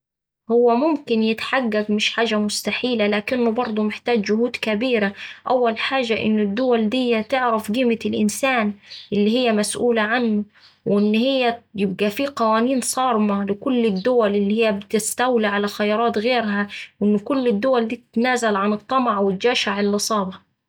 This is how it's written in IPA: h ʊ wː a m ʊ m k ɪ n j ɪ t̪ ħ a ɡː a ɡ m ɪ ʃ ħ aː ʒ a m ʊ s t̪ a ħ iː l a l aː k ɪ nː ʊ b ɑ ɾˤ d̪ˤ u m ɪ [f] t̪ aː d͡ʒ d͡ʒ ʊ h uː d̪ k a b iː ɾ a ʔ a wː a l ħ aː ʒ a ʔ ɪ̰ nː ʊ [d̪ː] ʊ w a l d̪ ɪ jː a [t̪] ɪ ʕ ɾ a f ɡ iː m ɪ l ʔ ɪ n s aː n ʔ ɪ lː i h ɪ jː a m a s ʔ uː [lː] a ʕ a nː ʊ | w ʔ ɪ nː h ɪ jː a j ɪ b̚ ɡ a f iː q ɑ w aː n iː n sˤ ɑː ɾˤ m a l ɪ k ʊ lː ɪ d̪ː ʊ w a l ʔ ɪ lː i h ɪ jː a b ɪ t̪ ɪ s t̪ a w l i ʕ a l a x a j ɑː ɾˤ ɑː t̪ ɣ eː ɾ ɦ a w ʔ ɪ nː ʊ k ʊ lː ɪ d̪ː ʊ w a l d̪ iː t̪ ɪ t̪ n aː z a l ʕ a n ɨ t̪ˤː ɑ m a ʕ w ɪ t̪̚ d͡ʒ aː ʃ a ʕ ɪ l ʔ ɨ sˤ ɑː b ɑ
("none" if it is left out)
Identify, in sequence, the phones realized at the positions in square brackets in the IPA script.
ħ, d̪ː, t̪, l

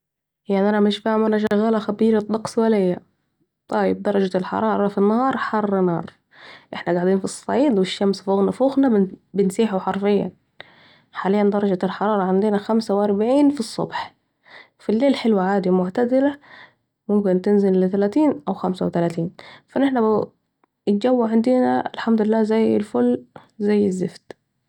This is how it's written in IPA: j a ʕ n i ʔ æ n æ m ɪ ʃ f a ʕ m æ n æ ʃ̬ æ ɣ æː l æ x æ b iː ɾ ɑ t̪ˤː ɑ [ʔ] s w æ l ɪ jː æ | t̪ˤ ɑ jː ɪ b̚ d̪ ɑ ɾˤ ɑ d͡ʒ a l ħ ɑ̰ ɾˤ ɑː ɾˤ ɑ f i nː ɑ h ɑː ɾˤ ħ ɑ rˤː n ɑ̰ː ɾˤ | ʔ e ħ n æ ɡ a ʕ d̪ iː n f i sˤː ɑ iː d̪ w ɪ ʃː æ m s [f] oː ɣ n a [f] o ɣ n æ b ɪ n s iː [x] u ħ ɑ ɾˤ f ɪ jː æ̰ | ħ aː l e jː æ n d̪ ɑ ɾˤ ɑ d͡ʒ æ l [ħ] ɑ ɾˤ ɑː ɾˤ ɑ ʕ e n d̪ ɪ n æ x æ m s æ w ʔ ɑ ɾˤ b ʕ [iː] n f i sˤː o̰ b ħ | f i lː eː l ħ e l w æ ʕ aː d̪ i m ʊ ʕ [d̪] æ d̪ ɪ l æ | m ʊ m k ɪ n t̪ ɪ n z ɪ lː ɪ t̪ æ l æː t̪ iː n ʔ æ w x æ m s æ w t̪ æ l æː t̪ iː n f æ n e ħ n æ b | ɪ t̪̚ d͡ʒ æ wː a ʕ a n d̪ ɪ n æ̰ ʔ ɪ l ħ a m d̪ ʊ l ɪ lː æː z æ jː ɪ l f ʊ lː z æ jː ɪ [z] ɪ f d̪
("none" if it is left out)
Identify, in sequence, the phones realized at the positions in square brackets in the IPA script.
q, f, f, ħ, ħ, iː, t̪, zː

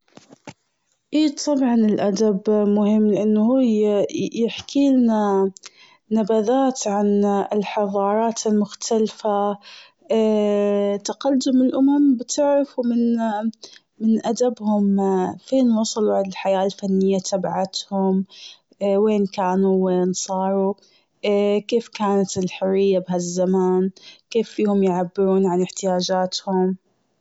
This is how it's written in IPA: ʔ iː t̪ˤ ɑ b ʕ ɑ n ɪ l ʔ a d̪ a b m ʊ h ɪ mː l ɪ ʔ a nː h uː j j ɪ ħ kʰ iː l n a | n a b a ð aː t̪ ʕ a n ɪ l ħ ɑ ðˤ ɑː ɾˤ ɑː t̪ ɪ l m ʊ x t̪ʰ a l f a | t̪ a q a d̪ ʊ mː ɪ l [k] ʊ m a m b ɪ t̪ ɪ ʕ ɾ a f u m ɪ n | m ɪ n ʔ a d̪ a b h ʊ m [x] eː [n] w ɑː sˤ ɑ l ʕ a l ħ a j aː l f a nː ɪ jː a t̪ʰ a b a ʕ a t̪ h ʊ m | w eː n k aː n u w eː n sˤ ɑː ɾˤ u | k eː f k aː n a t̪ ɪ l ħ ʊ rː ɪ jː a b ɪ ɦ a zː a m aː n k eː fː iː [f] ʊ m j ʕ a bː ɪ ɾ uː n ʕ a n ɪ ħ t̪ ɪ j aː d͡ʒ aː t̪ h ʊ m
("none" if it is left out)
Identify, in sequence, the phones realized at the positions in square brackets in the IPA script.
ʔ, f, n, h

